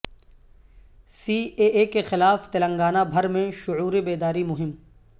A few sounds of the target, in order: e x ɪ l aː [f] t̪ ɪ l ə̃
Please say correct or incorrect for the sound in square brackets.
correct